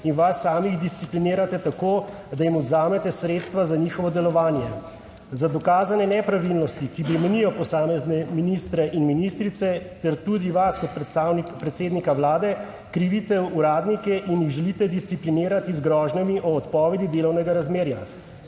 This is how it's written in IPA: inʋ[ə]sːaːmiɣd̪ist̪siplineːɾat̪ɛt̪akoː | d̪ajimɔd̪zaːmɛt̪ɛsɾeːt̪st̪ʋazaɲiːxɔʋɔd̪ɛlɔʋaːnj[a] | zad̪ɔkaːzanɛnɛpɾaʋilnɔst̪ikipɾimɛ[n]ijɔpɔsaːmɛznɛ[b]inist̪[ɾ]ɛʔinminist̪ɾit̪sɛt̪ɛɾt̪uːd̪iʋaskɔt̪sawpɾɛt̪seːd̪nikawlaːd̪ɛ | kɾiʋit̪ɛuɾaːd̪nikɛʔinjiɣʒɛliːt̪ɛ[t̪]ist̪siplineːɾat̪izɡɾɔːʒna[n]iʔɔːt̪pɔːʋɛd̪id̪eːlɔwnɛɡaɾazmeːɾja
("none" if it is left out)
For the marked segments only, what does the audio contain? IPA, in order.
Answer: a, ɛ, n, m, ɾ, d̪, m

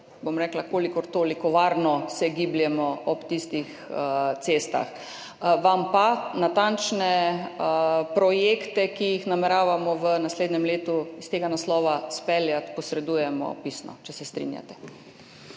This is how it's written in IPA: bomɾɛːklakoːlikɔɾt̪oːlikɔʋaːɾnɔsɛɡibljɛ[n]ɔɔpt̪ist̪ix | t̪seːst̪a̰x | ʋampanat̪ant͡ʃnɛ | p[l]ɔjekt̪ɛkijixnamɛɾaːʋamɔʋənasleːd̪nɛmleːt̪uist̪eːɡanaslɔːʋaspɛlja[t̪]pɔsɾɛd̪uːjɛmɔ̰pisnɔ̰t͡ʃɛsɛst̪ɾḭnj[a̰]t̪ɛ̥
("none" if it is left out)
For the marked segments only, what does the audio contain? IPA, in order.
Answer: m, ɾ, t̪, a̰

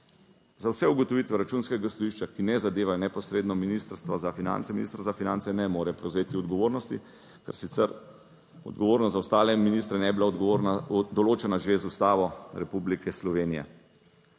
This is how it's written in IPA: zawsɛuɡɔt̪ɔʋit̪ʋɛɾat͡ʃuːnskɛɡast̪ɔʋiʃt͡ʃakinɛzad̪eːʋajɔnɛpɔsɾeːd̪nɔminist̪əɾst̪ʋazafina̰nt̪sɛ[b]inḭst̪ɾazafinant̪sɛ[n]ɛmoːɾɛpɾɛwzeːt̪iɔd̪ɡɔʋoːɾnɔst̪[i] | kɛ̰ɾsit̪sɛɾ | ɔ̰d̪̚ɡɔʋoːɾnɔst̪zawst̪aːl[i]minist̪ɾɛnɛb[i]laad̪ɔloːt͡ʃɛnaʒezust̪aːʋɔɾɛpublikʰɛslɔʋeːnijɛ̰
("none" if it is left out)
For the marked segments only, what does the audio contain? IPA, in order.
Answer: m, n, i, ɛ, i

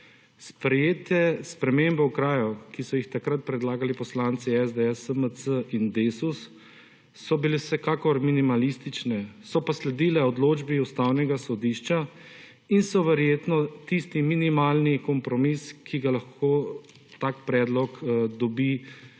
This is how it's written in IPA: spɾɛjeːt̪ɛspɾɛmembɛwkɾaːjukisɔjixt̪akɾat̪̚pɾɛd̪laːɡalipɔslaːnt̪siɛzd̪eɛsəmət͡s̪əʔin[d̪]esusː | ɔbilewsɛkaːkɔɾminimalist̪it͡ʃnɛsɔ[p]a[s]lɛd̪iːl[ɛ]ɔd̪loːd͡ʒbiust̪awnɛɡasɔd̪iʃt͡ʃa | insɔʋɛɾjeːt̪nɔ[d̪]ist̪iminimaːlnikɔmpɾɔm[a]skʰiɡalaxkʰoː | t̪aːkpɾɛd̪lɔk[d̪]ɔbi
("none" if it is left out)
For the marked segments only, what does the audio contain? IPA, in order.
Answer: d̪, p, s, ɛ, t̪, i, d̪

